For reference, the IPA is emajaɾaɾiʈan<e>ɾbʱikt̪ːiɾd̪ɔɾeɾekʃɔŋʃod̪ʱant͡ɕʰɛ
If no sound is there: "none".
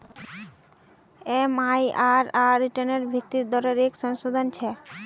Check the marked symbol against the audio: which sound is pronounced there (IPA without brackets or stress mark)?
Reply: e